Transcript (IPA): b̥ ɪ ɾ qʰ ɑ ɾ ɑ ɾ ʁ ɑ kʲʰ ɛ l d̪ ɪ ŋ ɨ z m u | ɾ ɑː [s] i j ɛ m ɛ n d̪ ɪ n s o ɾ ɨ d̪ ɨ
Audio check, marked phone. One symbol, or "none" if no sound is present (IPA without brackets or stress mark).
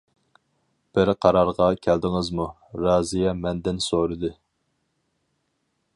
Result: z